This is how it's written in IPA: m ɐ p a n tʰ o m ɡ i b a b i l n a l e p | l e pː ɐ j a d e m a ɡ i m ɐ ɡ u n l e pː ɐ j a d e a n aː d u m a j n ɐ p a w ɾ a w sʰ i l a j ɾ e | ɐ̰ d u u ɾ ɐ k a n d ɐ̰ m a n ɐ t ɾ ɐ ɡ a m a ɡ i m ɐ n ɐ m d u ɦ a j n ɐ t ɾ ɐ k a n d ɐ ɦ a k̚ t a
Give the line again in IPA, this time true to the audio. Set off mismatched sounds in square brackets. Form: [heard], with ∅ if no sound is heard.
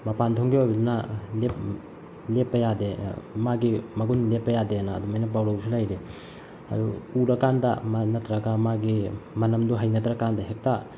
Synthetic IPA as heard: m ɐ p a n tʰ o [ŋ] ɡ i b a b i l n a l e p | l e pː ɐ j a d e m a ɡ i m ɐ ɡ u n l e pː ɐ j a d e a n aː d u m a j n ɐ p a w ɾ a w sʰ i l a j ɾ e | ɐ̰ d u u ɾ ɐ k a n d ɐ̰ m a n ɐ t ɾ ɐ ɡ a m a ɡ i m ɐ n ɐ m d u ɦ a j n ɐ t ɾ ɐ k a n d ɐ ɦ [e] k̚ t a